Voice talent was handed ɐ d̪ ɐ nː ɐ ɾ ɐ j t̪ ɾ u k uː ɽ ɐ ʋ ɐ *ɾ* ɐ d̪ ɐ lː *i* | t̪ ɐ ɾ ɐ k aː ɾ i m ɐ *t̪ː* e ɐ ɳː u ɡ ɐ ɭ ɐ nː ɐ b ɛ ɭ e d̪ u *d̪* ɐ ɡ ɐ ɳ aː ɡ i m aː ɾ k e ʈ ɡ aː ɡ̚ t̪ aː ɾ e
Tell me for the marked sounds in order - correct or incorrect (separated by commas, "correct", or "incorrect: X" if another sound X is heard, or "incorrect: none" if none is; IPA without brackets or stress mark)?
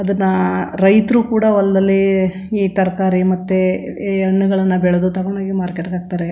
incorrect: l, incorrect: iː, correct, incorrect: t̪